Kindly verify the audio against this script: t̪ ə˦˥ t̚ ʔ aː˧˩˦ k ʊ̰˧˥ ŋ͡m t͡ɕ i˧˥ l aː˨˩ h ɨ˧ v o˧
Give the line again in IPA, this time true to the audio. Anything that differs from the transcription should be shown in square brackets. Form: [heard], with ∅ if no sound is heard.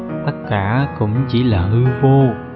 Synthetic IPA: t̪ ə˦˥ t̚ [k] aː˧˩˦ k ʊ̰˧˥ ŋ͡m t͡ɕ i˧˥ l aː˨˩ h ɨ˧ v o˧